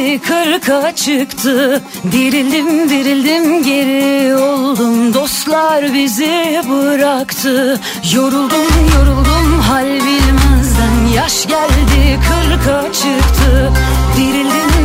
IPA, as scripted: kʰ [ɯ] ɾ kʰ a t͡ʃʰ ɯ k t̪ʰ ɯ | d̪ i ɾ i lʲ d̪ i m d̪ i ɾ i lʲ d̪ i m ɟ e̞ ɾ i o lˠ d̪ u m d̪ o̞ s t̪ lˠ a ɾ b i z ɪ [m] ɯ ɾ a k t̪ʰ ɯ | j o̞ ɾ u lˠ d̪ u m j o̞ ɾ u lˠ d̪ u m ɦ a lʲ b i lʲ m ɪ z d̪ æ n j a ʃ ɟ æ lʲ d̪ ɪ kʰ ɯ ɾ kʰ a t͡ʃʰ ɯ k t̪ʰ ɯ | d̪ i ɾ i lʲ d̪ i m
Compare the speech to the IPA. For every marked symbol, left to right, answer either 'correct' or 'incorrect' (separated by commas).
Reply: correct, incorrect